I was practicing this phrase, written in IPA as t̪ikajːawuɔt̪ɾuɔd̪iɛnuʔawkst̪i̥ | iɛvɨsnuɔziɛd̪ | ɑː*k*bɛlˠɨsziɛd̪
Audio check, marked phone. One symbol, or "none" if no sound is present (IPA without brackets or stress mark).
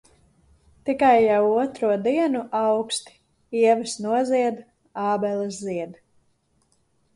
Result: none